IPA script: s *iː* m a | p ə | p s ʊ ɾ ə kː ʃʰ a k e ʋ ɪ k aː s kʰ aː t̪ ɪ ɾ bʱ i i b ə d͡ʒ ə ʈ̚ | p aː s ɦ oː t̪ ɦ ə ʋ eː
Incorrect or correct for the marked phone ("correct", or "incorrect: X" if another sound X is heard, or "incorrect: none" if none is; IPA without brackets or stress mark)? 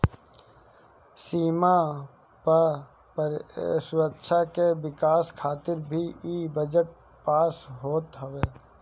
correct